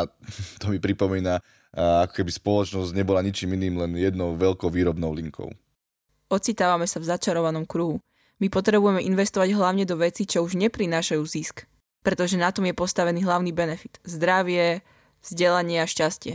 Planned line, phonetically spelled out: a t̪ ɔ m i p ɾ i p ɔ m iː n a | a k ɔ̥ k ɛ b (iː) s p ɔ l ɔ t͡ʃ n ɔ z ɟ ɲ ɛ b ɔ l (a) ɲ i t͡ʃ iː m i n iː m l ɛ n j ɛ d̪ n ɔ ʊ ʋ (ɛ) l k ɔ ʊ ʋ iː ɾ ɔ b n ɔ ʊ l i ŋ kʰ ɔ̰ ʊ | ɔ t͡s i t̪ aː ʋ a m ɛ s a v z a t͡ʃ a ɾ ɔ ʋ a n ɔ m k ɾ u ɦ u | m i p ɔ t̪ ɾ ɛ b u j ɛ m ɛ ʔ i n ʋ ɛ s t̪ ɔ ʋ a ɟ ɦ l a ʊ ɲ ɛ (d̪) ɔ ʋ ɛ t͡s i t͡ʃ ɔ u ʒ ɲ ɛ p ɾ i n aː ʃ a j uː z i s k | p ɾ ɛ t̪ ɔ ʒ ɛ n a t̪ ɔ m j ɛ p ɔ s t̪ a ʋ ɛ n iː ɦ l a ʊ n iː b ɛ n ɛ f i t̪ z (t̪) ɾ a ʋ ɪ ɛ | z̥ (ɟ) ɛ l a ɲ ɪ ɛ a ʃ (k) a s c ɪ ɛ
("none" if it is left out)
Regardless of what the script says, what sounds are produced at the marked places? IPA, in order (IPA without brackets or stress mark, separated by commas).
i, a, ɛ, d̪, d̪, ɟ, c